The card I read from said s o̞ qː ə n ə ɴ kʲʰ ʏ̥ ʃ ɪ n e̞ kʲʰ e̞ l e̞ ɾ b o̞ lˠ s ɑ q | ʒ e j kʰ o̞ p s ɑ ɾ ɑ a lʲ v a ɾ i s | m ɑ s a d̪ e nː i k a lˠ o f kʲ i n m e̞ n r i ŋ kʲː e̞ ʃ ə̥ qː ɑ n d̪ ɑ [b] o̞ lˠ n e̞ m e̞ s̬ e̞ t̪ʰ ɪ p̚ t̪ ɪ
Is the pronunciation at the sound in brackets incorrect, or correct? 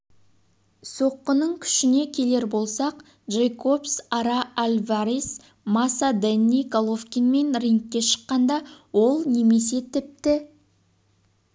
incorrect